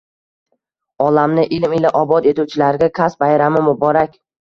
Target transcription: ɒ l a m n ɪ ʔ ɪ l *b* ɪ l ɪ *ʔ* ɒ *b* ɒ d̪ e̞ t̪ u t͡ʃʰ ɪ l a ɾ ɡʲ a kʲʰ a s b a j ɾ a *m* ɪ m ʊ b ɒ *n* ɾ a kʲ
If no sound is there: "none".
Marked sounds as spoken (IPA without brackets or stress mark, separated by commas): m, ʔ, b, m, none